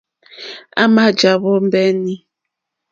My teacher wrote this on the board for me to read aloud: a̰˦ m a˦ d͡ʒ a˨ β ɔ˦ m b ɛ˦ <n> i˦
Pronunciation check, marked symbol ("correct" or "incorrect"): correct